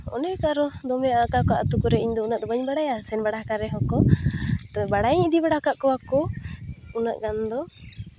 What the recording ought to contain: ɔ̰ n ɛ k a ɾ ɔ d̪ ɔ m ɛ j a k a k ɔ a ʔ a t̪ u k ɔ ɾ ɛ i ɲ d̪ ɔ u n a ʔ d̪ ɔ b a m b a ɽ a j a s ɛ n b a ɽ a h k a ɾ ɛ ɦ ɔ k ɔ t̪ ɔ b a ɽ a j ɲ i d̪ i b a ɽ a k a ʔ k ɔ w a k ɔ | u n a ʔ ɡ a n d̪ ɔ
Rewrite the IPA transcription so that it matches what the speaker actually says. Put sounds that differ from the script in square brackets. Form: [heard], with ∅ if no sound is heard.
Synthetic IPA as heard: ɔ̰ n ɛ k a ɾ ɔ d̪ ɔ m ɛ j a k a k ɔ a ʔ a t̪ u k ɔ ɾ ɛ i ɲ d̪ ɔ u n a ʔ d̪ ɔ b a [ɲ] b a ɽ a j a s ɛ n b a ɽ a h k a ɾ ɛ ɦ ɔ k ɔ t̪ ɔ b a ɽ a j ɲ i d̪ i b a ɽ a k a ʔ k ɔ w a k ɔ | u n a ʔ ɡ a n d̪ ɔ